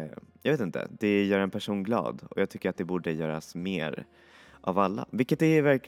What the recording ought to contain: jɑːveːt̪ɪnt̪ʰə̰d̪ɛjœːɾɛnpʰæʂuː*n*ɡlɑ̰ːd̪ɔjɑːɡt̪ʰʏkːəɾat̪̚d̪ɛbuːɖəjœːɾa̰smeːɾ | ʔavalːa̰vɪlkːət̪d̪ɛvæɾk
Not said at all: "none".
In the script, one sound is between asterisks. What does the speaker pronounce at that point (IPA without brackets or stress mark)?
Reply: n